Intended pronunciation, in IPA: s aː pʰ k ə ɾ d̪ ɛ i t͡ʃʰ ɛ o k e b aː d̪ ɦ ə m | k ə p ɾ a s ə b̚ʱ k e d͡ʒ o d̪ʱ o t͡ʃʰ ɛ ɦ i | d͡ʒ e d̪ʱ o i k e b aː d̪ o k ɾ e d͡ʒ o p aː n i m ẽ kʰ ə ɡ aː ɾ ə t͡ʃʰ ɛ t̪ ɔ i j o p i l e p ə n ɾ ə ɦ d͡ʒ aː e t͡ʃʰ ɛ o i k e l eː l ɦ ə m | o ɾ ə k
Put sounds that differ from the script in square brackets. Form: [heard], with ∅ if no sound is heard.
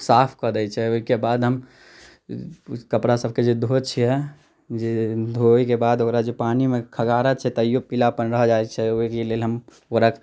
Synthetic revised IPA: s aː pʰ k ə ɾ d̪ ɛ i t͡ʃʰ ɛ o k e b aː d̪ ɦ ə m | k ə p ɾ a s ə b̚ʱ k e d͡ʒ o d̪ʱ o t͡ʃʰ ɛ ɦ [ɛ] | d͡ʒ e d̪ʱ o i k e b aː d̪ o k ɾ [a] d͡ʒ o p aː n i m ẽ kʰ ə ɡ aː ɾ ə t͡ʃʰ ɛ t̪ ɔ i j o p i l [a] p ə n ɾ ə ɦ d͡ʒ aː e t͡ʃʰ ɛ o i k e l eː l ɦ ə m | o ɾ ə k